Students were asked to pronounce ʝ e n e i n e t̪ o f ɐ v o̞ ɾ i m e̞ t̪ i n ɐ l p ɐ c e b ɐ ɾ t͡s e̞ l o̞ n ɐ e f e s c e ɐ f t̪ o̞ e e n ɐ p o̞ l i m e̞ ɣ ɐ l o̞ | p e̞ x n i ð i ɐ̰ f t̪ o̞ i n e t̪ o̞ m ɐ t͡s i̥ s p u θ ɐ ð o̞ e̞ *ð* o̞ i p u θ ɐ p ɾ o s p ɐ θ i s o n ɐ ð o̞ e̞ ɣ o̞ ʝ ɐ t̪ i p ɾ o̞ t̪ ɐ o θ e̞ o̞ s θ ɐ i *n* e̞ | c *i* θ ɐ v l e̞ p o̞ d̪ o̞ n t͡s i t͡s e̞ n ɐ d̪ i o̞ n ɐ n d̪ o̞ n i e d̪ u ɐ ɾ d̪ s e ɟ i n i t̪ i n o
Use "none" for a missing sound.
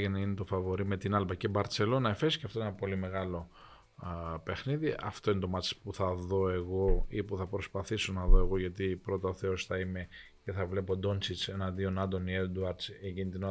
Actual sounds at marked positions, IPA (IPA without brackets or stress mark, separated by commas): ɣ, m, e